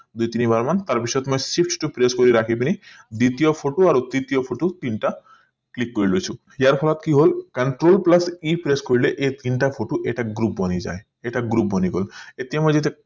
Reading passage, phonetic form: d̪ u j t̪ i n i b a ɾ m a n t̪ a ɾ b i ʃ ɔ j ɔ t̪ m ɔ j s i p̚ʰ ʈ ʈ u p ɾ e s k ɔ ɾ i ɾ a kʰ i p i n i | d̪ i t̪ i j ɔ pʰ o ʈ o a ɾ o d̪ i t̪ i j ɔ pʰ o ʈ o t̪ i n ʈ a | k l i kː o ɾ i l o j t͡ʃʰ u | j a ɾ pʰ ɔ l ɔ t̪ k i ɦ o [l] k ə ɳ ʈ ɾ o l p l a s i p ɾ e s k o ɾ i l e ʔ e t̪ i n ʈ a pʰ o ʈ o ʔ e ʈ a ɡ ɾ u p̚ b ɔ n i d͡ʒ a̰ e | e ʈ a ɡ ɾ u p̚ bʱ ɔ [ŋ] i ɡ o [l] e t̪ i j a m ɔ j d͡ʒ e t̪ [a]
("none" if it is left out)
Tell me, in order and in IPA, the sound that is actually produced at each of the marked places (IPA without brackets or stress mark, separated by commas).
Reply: l, n, l, e